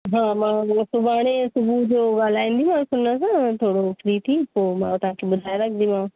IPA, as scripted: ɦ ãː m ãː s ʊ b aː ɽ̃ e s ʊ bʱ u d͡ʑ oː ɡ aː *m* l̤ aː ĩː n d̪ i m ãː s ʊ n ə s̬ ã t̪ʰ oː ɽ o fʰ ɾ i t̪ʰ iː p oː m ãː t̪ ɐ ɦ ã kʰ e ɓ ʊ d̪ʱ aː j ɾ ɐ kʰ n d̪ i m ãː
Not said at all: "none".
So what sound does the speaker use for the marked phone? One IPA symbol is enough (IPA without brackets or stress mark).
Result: none